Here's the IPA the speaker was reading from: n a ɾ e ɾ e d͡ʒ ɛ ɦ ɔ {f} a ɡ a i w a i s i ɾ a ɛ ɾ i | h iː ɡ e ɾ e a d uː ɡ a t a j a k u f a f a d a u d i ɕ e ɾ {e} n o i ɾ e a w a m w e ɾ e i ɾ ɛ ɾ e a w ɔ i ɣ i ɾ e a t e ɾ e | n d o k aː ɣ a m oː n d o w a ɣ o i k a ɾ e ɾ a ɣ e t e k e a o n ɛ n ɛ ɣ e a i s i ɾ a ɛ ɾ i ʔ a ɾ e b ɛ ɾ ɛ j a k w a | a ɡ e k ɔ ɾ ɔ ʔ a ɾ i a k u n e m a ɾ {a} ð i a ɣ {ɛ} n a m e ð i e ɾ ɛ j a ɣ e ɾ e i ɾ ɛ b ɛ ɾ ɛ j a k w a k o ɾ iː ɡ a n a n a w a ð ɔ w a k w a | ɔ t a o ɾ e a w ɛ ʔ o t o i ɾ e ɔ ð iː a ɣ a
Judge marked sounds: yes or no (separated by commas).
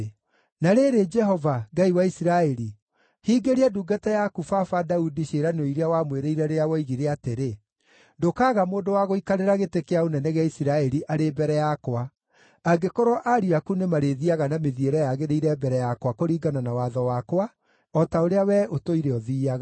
no, no, no, no